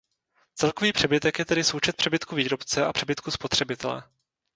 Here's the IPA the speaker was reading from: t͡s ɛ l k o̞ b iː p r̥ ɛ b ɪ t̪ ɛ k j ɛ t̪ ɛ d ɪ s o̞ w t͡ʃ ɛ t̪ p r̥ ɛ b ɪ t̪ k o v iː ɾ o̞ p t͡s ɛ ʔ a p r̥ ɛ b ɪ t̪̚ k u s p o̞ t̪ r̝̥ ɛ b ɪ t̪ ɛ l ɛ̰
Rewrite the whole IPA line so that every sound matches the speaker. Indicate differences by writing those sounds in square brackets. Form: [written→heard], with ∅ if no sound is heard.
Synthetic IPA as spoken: t͡s ɛ l k o̞ [b→v] iː p r̥ ɛ b ɪ t̪ ɛ k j ɛ t̪ ɛ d ɪ s o̞ w t͡ʃ ɛ t̪ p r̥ ɛ b ɪ t̪ k [o→u] v iː ɾ o̞ p t͡s ɛ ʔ a p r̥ ɛ b ɪ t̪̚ k u s p o̞ t̪ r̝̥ ɛ b ɪ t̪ ɛ l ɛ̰